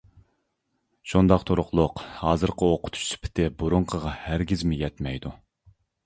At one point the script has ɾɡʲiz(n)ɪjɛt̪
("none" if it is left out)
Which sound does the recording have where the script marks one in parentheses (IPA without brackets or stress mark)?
m